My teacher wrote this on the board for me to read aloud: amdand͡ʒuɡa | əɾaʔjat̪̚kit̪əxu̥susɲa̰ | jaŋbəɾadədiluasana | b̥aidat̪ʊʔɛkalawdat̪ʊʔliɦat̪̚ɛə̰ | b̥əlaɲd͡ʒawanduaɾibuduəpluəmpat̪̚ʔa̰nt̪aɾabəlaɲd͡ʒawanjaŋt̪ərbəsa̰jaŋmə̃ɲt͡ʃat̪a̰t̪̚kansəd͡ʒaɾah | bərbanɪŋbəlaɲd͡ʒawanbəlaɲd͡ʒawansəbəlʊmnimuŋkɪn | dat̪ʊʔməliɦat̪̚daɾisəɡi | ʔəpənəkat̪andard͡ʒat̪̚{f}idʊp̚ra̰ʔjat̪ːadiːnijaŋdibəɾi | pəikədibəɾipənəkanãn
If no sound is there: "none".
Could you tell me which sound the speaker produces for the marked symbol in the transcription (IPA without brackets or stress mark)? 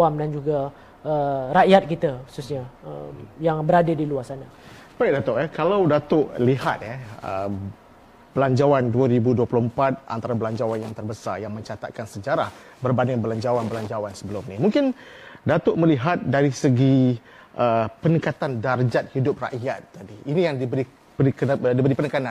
h